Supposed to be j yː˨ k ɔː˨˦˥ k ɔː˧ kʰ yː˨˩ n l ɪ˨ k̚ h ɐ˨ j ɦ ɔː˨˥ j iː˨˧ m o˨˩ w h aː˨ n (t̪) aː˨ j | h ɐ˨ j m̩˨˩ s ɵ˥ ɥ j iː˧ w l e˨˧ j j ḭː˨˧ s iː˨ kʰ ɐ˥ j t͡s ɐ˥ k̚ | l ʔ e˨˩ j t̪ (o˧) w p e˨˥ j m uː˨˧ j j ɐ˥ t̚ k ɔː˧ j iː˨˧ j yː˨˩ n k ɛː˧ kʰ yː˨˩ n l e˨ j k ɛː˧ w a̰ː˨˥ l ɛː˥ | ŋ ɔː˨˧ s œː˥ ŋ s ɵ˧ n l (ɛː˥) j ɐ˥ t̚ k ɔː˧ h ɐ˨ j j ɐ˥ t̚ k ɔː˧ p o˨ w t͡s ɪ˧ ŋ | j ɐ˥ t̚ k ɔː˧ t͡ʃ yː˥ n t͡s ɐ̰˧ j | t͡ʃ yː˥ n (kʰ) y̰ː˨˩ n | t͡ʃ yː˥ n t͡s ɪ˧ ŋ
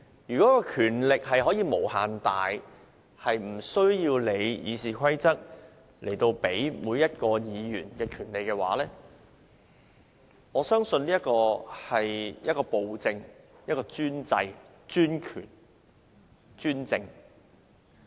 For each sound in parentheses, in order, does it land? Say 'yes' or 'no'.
yes, yes, no, yes

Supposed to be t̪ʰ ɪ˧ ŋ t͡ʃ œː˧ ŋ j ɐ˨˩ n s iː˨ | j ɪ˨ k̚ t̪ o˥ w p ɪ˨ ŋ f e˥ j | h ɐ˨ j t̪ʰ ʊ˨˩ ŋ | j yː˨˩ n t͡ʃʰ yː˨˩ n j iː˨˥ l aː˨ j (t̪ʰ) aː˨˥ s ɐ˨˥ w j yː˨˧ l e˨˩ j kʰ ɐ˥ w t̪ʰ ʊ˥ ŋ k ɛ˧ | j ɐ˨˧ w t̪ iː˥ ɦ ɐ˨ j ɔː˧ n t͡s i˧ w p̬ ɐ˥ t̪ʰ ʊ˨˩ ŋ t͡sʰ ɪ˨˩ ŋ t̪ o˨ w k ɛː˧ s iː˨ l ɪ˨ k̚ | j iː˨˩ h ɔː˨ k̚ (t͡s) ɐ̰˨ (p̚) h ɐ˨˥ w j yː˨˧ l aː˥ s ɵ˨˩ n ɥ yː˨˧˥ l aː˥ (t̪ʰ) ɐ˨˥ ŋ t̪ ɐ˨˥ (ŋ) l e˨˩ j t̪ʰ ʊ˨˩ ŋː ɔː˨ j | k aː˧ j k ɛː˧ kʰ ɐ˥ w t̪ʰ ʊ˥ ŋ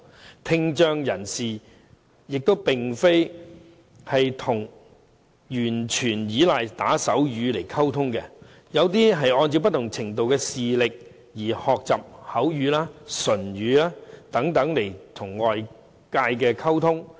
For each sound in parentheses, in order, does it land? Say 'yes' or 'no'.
no, yes, yes, no, yes

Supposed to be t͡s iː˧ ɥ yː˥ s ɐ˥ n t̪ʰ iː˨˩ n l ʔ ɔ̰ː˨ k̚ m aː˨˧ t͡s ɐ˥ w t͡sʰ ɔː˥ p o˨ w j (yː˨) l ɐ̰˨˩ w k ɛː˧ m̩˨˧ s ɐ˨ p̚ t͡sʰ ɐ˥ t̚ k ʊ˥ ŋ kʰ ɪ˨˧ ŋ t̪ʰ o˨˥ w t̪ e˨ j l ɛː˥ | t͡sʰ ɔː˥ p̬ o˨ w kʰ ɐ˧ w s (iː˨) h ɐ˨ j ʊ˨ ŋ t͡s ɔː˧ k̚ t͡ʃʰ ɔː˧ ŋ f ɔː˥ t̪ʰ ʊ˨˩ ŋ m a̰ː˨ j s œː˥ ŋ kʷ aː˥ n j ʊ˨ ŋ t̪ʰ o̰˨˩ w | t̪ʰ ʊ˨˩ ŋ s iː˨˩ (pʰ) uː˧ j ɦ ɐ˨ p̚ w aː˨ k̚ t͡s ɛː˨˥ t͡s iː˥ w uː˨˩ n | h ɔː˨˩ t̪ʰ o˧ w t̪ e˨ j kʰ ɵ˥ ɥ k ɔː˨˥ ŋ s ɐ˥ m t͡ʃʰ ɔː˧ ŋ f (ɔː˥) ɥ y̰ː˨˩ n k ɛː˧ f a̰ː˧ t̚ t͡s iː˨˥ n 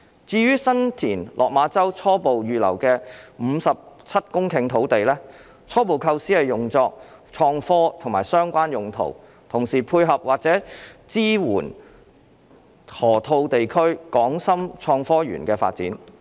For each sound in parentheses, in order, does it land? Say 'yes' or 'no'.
yes, no, yes, yes

